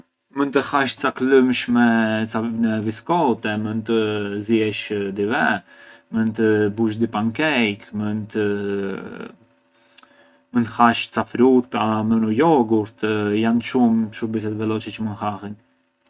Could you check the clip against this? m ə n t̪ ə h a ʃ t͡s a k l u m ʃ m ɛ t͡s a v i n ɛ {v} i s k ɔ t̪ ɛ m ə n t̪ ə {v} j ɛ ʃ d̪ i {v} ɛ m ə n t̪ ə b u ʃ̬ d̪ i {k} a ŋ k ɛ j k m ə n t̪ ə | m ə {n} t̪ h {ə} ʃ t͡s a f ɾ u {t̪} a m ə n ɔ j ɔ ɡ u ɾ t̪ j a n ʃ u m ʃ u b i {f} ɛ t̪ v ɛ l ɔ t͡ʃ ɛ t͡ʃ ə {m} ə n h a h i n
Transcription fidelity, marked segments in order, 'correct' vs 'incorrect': correct, incorrect, correct, incorrect, correct, incorrect, correct, incorrect, correct

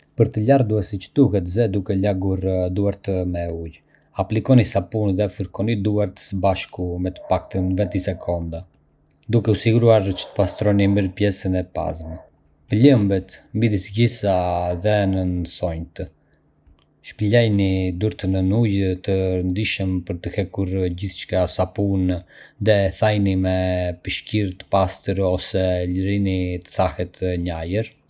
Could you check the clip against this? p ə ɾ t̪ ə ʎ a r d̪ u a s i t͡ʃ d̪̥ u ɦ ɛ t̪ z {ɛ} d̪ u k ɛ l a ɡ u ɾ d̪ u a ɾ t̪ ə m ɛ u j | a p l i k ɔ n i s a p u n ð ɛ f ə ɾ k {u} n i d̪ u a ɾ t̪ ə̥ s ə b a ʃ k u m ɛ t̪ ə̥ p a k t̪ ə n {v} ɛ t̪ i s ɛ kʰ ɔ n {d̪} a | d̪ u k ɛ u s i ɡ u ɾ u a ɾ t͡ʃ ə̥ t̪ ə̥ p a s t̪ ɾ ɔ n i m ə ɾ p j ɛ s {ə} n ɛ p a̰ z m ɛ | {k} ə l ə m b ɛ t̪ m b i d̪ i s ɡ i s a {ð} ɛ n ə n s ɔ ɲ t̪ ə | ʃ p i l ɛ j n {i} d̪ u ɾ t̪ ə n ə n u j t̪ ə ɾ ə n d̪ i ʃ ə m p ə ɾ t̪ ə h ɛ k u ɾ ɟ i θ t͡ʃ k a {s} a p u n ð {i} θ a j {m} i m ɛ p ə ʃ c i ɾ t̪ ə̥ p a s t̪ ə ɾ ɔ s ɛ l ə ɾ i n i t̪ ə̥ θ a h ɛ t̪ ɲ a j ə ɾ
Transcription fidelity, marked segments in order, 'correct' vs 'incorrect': correct, incorrect, correct, correct, correct, incorrect, correct, correct, correct, incorrect, incorrect

